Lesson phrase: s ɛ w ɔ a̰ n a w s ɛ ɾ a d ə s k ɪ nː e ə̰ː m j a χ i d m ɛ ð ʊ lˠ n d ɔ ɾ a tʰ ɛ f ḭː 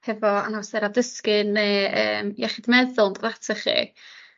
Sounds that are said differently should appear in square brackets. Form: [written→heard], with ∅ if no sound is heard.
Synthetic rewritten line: [s→h] ɛ [w→v] ɔ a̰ n a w s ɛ ɾ a d ə s k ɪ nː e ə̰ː m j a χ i d m ɛ ð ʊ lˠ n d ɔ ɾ a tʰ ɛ [f→χ] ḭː